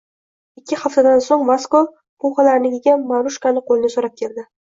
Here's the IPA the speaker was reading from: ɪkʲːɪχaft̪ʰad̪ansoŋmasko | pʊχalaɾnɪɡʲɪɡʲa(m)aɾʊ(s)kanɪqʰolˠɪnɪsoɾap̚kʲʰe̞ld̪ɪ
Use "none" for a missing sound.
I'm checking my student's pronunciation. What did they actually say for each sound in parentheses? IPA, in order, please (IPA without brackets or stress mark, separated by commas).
m, ʃ